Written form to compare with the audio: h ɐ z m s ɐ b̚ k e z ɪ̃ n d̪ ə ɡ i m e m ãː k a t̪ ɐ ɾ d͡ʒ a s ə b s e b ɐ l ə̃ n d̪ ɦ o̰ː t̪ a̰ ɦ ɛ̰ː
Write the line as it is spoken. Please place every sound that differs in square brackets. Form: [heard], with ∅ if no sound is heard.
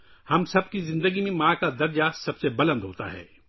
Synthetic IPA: h ɐ [∅] m s ɐ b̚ k [i] z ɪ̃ n d̪ ə ɡ i m [ẽ] m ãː k a [d̪] ɐ ɾ d͡ʒ a s [ɐ] b s e b ɐ l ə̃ n d̪ ɦ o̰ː t̪ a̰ ɦ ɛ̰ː